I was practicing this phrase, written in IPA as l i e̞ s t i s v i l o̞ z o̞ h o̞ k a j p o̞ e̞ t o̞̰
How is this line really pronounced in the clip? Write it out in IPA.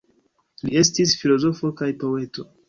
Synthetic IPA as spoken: l i e̞ s t i s f i l o̞ z o̞ f o̞ k a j p o̞ e̞ t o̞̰